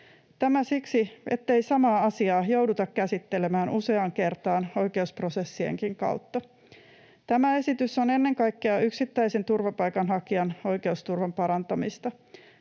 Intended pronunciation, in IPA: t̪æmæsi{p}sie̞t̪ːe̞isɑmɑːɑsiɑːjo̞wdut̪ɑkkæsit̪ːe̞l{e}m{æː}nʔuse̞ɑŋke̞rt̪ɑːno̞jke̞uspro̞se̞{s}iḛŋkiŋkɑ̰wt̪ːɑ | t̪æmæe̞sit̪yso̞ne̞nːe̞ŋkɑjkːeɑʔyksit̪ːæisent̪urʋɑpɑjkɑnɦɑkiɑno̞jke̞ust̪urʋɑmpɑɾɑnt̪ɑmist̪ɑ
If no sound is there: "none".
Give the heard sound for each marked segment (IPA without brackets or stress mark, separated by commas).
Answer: k, e, æː, sː